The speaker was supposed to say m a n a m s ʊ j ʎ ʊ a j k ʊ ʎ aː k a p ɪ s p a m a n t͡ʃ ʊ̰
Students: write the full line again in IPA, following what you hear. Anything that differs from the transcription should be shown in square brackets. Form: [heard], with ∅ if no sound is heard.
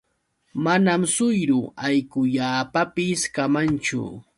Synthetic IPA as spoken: m a n a m s ʊ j [ɾ] ʊ a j k ʊ ʎ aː [p] a p ɪ s [k] a m a n t͡ʃ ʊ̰